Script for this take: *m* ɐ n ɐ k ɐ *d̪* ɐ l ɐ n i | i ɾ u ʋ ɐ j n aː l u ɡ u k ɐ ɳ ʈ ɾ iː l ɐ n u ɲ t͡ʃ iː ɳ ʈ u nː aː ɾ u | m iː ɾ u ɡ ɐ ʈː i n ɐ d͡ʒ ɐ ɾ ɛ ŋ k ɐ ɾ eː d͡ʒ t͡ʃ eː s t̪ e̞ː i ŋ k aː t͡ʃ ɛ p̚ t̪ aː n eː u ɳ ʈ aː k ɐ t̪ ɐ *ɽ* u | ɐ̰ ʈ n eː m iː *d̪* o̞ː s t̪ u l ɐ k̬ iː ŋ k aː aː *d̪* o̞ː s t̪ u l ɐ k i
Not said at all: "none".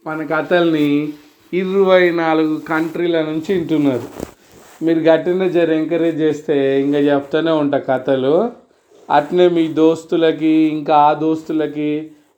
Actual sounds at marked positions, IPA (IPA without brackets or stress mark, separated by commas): m, t̪, l, d̪, d̪